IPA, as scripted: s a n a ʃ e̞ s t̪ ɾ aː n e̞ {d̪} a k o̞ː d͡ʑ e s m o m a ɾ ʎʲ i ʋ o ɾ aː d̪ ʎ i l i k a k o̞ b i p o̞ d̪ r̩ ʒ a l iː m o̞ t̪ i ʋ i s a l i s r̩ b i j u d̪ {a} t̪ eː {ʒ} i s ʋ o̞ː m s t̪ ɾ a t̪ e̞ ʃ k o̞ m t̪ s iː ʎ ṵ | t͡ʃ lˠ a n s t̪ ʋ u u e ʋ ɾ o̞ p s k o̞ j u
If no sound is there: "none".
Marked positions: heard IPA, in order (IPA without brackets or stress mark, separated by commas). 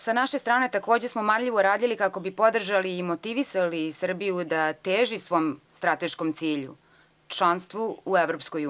t̪, a, ʒ